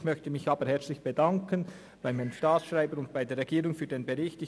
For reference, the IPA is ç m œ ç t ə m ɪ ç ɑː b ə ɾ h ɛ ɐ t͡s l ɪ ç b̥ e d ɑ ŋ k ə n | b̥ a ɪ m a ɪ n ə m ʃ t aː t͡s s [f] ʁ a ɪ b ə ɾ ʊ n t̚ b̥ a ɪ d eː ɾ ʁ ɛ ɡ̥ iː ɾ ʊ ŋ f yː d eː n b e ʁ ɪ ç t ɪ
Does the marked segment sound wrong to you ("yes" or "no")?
yes